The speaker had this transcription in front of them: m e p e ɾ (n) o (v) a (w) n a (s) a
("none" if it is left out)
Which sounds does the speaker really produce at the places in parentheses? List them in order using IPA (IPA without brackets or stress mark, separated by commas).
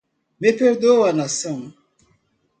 d, w, none, s